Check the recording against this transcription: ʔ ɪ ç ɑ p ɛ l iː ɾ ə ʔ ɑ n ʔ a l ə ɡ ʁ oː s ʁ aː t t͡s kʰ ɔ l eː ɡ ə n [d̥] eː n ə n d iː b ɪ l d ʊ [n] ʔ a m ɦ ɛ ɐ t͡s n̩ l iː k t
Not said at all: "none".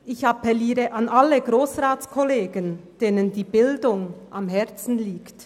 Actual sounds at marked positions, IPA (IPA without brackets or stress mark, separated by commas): d̥, ŋ